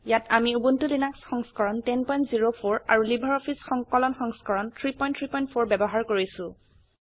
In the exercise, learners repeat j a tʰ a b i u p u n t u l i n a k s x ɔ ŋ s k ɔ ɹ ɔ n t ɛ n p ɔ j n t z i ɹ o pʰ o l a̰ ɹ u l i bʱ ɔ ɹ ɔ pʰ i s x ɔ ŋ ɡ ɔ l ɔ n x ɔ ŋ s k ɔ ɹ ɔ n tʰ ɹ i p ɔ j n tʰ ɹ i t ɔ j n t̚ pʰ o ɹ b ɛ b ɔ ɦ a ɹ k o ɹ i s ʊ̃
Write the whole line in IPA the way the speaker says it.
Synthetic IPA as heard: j a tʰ a m i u b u n t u l i n a k s x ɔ ŋ s k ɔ ɹ ɔ n t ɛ n p ɔ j n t z i ɹ o pʰ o ɹ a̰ ɹ u l i bʱ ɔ ɹ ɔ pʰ i s x ɔ ŋ k ɔ l ɔ n x ɔ ŋ s k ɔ ɹ ɔ n tʰ ɹ i p ɔ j n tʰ ɹ i p ɔ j n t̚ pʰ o ɹ b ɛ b ɔ ɦ a ɹ k o ɹ i s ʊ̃